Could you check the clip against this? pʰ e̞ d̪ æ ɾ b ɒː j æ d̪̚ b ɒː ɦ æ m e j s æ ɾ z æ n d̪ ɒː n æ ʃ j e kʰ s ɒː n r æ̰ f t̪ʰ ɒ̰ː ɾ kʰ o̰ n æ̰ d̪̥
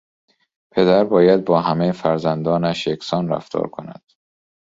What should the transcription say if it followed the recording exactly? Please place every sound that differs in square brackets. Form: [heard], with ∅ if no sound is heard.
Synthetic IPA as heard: pʰ e̞ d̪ æ ɾ b ɒː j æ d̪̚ b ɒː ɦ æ m e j [f] æ ɾ z æ n d̪ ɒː n æ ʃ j e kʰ s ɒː n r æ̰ f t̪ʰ ɒ̰ː ɾ kʰ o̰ n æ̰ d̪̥